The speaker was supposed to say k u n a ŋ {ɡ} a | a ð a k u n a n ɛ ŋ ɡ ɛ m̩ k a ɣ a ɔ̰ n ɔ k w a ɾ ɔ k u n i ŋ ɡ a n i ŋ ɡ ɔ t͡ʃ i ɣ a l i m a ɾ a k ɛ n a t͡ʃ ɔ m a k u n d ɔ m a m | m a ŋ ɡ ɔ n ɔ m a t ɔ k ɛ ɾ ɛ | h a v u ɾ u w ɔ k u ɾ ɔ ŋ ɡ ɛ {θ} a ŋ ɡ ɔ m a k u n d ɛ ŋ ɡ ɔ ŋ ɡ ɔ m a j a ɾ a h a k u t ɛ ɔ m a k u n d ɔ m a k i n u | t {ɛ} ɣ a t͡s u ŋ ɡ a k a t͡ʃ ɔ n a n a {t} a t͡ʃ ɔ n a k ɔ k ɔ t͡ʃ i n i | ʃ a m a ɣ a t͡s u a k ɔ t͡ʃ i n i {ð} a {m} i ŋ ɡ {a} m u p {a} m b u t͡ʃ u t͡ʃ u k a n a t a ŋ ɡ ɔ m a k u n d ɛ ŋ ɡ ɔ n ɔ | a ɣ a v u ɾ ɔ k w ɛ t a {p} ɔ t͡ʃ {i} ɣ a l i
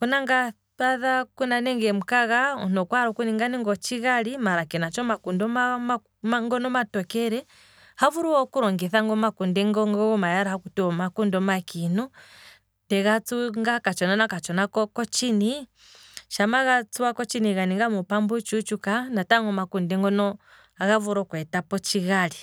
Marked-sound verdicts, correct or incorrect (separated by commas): correct, correct, correct, incorrect, incorrect, incorrect, correct, correct, correct, correct